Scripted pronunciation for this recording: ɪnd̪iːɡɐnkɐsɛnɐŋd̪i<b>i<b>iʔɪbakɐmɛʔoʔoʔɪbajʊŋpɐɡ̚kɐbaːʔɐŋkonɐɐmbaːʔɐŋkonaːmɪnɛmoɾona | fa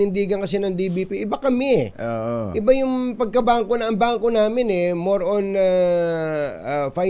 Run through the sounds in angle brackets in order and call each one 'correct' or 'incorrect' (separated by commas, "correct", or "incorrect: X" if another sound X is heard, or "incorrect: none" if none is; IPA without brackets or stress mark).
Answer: correct, incorrect: p